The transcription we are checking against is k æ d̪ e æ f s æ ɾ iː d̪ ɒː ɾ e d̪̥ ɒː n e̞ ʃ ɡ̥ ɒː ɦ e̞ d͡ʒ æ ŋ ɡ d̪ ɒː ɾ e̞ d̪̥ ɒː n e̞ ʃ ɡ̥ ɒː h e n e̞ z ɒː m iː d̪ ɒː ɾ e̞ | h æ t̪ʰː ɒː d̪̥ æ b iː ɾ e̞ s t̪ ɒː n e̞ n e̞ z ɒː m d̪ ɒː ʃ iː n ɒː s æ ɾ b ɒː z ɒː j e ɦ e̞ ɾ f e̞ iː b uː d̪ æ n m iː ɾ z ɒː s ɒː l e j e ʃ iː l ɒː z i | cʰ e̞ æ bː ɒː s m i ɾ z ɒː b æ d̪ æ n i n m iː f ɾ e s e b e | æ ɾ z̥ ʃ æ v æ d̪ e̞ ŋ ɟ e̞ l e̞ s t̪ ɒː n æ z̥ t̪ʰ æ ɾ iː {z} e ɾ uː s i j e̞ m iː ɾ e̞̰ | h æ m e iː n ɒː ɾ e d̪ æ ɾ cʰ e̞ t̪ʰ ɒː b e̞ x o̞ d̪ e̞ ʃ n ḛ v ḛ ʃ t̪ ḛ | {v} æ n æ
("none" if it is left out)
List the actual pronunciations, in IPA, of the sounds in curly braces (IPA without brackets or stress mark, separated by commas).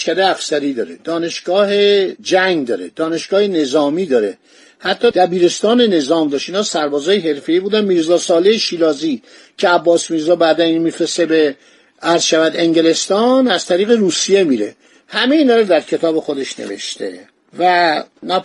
ɣ, v